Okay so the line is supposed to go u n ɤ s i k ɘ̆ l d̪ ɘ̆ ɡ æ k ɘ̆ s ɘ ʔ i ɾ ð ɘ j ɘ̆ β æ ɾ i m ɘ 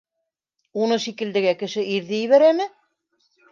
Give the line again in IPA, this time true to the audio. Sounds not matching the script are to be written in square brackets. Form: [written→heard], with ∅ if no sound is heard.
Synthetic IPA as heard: u n ɤ [s→ʃ] i k ɘ̆ l d̪ ɘ̆ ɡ æ k ɘ̆ [s→ʃ] ɘ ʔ i ɾ ð ɘ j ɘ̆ β æ ɾ [i→æ] m ɘ